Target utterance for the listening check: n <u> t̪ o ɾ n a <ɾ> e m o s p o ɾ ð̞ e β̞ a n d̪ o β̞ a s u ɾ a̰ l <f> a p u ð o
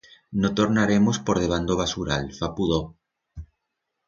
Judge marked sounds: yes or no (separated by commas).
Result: no, yes, yes